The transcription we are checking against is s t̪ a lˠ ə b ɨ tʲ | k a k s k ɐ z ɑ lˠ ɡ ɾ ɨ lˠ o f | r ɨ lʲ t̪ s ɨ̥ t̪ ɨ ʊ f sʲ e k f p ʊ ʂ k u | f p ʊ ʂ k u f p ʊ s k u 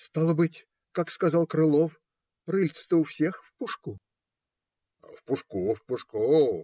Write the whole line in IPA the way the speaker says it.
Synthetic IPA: s t̪ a lˠ ə b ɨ tʲ | k a k s k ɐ z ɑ lˠ k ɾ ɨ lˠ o f | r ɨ lʲ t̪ s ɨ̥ t̪ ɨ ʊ f sʲ e x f p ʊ ʂ k u | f p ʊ ʂ k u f p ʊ ʂ k u